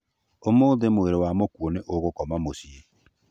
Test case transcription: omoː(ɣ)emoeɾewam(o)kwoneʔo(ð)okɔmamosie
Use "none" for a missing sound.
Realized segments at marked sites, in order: ð, o, ɣ

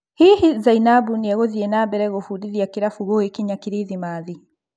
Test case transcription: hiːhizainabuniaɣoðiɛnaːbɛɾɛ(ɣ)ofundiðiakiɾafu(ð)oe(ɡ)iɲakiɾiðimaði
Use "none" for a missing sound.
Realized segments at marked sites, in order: ɣ, ɣ, k

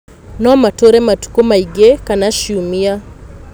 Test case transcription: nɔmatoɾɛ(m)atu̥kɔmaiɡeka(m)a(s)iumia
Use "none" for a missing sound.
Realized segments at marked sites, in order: m, n, ʃ

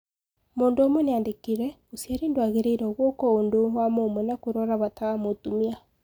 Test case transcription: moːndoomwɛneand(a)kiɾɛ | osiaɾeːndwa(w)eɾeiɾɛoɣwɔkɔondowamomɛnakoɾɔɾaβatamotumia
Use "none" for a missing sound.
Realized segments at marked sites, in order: e, ɣ

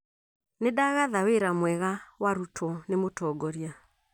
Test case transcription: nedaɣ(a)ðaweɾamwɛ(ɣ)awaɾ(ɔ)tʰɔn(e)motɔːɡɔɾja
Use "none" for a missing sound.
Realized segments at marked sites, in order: a, ɣ, u, e

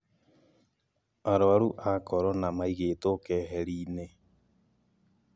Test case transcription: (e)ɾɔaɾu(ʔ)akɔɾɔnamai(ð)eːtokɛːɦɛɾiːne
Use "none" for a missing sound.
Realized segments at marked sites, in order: a, ʔ, ɣ

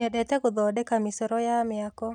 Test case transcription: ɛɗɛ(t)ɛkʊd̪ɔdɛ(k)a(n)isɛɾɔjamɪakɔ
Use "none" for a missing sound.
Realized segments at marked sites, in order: t, k, m

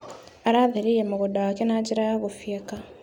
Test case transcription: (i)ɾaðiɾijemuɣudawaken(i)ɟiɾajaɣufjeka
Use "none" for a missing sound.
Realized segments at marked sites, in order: a, a

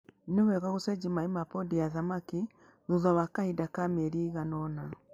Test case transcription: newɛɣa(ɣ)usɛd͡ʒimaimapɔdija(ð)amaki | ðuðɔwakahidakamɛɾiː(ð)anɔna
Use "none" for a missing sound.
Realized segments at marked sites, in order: ɣ, ð, ɣ

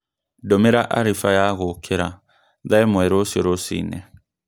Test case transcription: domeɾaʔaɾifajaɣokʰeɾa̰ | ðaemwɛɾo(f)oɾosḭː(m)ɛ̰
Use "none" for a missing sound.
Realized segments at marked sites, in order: s, n

